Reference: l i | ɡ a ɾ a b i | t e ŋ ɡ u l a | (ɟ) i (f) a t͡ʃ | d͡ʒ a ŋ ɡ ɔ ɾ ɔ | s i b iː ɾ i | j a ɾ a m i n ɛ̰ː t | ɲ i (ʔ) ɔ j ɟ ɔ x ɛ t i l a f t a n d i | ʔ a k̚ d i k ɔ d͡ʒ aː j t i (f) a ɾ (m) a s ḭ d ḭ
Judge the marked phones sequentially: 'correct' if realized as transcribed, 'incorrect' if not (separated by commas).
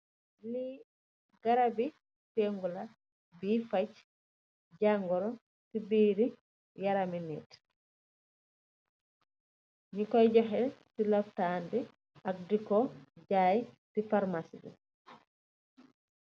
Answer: incorrect, correct, incorrect, correct, correct